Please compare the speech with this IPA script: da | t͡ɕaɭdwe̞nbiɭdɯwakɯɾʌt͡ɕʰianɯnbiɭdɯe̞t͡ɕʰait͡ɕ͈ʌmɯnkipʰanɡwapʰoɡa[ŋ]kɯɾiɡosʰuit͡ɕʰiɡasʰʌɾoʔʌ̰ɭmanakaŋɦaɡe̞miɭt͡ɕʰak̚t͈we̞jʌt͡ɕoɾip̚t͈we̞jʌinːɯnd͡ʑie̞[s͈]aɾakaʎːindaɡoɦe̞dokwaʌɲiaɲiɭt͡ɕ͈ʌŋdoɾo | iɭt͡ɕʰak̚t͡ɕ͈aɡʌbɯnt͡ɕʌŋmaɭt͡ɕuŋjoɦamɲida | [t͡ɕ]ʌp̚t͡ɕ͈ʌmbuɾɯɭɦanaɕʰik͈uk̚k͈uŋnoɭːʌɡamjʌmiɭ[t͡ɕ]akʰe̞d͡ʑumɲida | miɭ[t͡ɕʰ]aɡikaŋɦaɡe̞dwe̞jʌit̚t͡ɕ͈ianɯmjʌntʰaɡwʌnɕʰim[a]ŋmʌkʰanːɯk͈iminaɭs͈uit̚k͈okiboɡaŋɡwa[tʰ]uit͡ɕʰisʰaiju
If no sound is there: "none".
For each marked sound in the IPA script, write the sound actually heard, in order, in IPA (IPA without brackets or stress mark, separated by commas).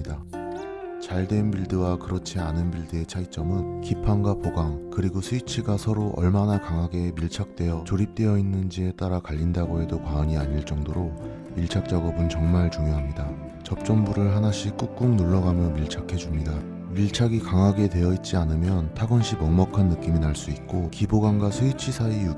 ŋ, t͈, t͡ɕ, t͡ɕʰ, t͡ɕʰ, ʌ, sʰ